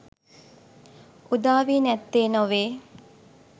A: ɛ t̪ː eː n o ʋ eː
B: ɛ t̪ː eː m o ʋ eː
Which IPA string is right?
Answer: A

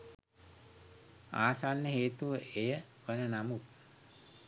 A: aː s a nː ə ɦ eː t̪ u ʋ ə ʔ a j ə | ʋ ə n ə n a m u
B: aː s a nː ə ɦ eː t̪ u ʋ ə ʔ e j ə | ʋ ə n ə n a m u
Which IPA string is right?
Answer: B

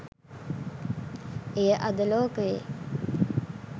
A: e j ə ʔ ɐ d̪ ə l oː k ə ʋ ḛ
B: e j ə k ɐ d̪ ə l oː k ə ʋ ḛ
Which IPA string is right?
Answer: A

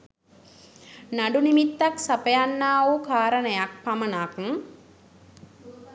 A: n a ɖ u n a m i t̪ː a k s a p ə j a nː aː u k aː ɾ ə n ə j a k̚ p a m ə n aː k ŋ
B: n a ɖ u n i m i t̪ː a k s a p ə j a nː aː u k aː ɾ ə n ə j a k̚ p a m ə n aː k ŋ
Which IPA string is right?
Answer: B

